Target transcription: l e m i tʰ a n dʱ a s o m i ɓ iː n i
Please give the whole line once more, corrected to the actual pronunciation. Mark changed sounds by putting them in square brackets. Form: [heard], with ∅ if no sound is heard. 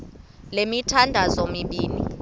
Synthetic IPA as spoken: l e m i tʰ a n dʱ a [z] o m i ɓ iː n i